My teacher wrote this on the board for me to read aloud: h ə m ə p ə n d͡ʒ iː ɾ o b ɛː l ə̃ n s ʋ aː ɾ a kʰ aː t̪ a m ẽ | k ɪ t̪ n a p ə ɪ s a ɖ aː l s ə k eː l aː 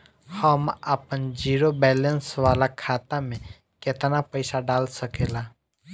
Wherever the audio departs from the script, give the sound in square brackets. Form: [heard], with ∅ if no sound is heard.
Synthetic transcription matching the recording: h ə m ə p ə n d͡ʒ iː ɾ o b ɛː l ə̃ n s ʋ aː [l] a kʰ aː t̪ a m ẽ | k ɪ t̪ n a p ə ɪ s a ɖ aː l s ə k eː l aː